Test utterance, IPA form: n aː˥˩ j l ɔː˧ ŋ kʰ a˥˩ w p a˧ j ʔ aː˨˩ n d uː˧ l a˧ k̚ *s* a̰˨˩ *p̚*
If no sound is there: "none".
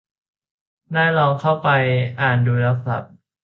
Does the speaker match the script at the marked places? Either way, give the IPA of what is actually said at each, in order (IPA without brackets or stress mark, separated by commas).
s, p̚